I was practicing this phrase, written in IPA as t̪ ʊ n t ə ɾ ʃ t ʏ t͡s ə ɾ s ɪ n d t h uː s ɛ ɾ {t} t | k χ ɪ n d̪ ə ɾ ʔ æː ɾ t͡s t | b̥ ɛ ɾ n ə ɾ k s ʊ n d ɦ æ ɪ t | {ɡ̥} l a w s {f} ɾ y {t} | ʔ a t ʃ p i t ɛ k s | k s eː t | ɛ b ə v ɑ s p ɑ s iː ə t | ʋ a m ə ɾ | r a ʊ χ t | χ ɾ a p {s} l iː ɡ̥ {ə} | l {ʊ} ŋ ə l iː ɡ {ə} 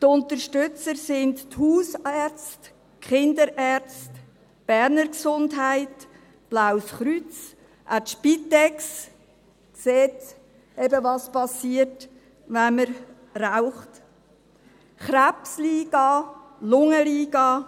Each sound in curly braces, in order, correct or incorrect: incorrect: t͡s, incorrect: b̥, incorrect: χ, incorrect: t͡s, correct, incorrect: ɑ, correct, incorrect: ɑ

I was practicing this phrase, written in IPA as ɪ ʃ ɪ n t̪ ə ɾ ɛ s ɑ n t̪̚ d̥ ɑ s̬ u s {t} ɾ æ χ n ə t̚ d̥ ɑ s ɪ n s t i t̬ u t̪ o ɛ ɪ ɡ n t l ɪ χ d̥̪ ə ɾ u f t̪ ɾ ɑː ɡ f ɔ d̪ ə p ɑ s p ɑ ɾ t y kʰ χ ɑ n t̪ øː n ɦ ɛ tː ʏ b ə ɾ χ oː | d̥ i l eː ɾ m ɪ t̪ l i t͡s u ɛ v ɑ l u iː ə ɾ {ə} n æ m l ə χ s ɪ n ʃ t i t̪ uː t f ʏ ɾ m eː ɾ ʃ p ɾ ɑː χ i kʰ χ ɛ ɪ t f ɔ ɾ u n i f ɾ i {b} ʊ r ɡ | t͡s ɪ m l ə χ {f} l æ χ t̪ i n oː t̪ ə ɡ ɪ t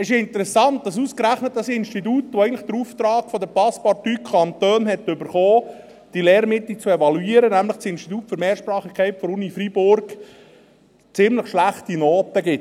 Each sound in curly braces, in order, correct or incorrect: incorrect: k, correct, correct, incorrect: ʃ

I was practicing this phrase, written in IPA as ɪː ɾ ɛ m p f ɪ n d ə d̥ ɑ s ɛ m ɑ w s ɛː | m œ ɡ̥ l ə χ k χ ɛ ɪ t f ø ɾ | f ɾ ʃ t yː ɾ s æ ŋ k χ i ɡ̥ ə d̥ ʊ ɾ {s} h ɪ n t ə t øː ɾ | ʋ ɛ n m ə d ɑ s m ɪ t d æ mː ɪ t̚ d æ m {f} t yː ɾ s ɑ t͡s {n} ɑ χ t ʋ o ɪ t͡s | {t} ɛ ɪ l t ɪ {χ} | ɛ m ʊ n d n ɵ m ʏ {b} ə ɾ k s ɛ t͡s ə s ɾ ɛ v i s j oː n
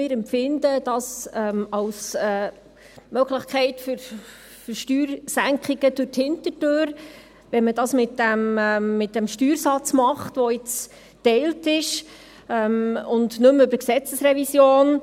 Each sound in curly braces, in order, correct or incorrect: incorrect: t, incorrect: ʃ, incorrect: m, correct, incorrect: ʃ, correct

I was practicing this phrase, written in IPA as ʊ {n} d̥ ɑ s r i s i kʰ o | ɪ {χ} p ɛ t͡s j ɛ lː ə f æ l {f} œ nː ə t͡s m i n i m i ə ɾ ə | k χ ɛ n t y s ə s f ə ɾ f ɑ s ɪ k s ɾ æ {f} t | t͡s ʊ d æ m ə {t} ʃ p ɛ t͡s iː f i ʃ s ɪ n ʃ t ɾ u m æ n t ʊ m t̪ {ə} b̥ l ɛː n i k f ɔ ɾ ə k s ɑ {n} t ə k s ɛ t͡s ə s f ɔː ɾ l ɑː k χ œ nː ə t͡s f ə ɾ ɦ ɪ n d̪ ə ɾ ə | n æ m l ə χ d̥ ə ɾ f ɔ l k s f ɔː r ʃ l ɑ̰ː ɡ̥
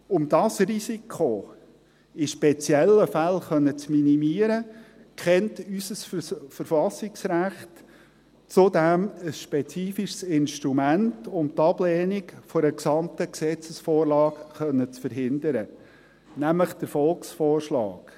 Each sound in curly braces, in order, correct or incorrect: incorrect: m, incorrect: ʃ, incorrect: χ, incorrect: χ, incorrect: s, incorrect: ɑ, incorrect: m

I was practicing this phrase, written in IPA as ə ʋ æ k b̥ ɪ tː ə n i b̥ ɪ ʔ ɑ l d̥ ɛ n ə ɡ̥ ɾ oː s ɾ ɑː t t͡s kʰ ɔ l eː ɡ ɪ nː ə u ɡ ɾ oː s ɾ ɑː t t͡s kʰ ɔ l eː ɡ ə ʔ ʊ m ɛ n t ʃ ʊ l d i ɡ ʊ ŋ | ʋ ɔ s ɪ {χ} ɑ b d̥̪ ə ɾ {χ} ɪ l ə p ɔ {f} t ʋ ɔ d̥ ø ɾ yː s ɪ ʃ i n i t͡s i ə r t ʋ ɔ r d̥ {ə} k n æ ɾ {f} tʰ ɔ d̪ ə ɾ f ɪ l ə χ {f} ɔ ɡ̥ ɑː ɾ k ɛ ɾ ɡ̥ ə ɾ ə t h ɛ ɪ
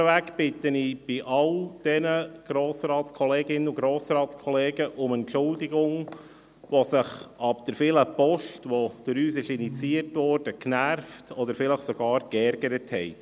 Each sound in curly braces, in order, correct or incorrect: correct, incorrect: f, incorrect: ʃ, correct, correct, incorrect: s

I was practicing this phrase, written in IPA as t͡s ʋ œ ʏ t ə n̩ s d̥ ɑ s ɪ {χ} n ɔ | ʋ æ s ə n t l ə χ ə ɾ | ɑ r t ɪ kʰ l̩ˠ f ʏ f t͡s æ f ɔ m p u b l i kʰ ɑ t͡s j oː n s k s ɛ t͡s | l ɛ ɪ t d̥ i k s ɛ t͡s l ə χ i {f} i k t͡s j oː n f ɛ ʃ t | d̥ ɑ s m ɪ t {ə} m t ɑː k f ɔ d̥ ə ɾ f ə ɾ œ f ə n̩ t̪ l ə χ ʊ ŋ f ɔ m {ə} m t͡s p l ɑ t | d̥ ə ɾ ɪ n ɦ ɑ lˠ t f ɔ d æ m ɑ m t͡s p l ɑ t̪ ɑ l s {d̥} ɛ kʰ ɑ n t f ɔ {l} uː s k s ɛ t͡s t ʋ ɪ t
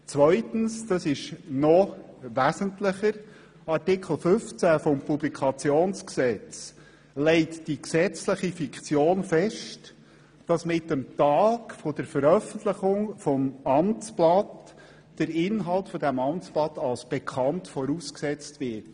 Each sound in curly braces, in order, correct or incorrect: incorrect: ʃ, correct, correct, incorrect: ɑ, incorrect: b̥, incorrect: ɾ

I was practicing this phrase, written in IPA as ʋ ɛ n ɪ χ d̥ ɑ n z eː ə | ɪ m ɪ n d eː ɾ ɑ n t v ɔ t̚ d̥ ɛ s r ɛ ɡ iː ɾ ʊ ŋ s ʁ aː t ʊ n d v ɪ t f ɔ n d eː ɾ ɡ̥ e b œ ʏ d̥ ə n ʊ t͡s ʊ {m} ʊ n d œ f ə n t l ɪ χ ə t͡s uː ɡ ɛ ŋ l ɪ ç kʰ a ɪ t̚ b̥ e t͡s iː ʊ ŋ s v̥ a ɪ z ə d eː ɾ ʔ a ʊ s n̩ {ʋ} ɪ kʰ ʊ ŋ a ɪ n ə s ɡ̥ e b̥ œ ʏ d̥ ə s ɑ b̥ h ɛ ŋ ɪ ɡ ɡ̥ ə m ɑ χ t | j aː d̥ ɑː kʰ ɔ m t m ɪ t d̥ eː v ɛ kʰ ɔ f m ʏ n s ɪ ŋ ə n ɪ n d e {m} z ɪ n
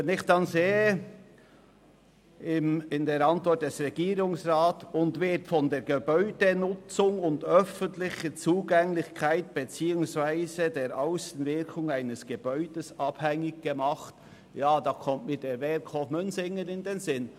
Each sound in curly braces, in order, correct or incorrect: incorrect: ŋ, incorrect: v, incorrect: n

